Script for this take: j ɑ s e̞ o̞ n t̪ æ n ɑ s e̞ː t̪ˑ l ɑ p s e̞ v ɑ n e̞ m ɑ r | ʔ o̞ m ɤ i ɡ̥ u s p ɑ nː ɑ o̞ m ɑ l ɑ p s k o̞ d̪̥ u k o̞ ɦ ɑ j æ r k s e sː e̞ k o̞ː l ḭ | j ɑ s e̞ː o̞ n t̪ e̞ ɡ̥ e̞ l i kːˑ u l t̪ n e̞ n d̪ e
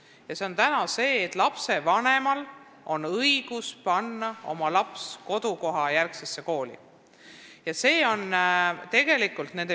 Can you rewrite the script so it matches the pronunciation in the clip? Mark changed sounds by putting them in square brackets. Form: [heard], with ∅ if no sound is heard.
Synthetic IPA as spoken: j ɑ s e̞ o̞ n t̪ æ n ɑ s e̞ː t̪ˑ l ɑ p s e̞ v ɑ n e̞ m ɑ [l] | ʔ o̞ [n] ɤ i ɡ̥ u s p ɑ nː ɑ o̞ m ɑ l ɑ p s k o̞ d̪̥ u k o̞ ɦ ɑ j æ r k s e sː e̞ k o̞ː l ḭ | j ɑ s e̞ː o̞ n t̪ e̞ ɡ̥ e̞ l i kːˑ u l t̪ n e̞ n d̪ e